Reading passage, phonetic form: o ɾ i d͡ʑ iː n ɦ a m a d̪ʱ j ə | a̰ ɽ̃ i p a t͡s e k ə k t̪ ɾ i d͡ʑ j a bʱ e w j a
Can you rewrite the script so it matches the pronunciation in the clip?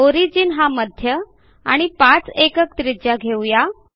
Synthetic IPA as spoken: o ɾ i d͡ʑ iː n ɦ a m ə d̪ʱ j ə | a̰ ɽ̃ i p a t͡s e k ə k t̪ ɾ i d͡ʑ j a ɡʱ e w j a